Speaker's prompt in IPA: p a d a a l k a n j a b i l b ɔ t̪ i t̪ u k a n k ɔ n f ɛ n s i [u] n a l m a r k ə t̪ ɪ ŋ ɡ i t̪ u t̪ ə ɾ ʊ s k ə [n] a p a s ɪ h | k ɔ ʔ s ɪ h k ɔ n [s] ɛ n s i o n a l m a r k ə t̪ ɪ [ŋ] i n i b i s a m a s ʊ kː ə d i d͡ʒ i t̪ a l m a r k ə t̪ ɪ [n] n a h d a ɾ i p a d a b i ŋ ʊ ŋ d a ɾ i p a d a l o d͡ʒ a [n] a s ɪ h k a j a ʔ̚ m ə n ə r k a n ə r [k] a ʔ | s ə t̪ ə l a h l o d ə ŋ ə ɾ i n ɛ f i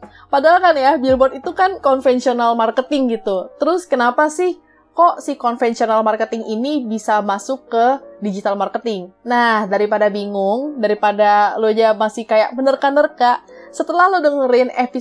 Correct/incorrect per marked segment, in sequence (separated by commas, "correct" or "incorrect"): incorrect, correct, incorrect, correct, incorrect, incorrect, correct